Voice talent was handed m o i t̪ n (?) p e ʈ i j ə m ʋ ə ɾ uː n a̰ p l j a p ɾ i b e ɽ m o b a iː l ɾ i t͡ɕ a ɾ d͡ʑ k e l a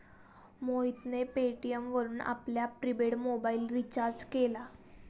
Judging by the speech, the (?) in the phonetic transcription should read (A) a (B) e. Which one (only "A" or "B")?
B